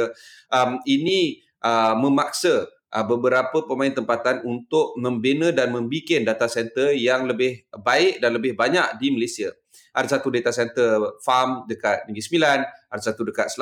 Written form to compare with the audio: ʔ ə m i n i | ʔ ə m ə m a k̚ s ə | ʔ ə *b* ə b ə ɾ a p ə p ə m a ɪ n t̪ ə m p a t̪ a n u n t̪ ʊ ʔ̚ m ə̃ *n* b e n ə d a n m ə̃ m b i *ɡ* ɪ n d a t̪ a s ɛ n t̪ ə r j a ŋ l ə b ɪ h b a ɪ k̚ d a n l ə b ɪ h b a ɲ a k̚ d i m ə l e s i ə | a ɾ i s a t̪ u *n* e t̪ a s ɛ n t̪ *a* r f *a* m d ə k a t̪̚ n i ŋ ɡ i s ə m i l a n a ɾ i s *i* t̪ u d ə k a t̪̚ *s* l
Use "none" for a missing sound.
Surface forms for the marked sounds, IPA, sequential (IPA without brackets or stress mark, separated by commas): b, m, k, d, ə, a, a, s